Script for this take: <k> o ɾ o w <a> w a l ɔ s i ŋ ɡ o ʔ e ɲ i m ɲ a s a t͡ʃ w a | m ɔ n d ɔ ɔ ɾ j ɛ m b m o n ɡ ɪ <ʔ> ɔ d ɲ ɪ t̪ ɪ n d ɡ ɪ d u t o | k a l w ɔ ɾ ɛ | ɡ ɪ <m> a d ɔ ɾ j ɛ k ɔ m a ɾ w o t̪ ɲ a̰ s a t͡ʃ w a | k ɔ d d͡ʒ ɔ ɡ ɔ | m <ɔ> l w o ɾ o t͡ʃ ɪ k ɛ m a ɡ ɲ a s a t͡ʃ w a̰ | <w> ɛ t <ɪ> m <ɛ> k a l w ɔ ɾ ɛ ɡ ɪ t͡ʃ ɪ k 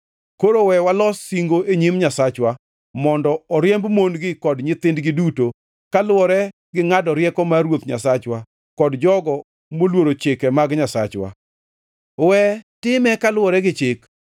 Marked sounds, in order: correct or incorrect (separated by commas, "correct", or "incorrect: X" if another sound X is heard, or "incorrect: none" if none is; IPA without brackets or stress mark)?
correct, incorrect: ɛ, incorrect: k, incorrect: ŋ, incorrect: o, correct, correct, correct